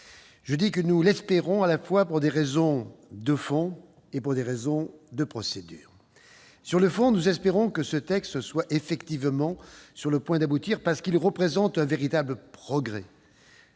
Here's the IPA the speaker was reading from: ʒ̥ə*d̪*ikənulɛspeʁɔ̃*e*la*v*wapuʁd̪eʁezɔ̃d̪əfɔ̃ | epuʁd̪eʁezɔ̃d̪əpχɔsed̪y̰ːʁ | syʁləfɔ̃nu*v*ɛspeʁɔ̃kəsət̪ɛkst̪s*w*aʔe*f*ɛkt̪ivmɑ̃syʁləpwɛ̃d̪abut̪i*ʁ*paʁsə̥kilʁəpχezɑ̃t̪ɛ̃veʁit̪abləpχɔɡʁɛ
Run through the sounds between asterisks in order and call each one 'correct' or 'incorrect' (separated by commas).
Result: correct, incorrect, incorrect, incorrect, correct, correct, correct